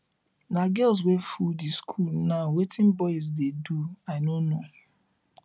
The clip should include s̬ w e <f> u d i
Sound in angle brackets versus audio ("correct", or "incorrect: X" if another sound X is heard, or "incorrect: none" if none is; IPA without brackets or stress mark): correct